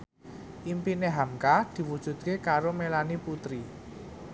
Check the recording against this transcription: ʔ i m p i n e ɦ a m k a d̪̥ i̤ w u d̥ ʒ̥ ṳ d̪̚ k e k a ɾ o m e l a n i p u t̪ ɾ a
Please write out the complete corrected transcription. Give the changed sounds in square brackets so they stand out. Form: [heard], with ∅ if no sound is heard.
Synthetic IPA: ʔ i m p i n e ɦ a m k a d̪̥ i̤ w u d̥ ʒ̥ ṳ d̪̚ k e k a ɾ o m e l a n i p u t̪ ɾ [i]